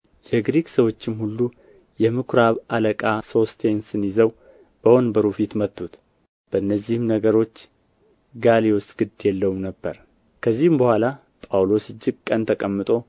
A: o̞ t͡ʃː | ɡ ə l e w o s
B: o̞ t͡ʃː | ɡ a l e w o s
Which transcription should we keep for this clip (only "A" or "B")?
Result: B